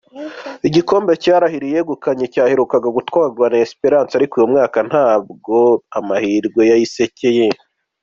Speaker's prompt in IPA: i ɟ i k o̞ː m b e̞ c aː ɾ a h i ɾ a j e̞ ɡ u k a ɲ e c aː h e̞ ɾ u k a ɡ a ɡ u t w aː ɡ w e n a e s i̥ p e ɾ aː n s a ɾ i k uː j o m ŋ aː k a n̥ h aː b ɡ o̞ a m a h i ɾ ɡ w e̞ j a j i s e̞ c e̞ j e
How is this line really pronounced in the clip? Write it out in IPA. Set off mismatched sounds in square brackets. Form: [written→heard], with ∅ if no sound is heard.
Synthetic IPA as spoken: i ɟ i k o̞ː m b e̞ c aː ɾ a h i ɾ [a→i] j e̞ ɡ u k a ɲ e c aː h e̞ ɾ u k a ɡ a ɡ u t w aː ɡ w [e→a] n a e s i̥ p e ɾ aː n s a ɾ i k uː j o m ŋ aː k a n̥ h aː b ɡ o̞ a m a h i ɾ ɡ w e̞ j a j i s e̞ c e̞ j e